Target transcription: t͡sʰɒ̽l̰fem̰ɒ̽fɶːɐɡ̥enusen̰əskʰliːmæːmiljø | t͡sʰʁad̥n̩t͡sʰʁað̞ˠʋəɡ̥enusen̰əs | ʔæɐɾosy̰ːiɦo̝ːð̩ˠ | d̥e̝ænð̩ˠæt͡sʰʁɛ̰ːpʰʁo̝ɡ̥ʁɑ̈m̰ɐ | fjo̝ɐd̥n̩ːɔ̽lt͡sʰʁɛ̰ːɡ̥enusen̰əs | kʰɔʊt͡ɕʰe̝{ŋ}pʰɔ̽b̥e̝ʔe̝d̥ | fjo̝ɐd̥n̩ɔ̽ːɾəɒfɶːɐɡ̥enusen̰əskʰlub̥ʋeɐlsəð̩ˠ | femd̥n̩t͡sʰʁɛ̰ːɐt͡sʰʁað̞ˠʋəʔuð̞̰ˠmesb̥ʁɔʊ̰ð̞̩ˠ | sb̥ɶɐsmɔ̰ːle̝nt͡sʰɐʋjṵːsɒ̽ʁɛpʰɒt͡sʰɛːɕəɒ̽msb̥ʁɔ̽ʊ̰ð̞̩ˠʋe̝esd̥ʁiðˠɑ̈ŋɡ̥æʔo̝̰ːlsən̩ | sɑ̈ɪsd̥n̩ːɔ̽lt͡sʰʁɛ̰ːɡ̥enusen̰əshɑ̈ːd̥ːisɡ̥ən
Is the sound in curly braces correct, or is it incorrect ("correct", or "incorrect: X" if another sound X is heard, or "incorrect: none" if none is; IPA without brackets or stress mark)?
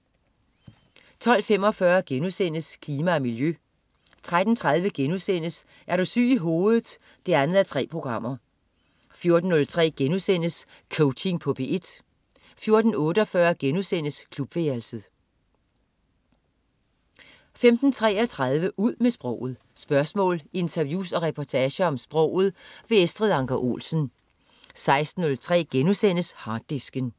correct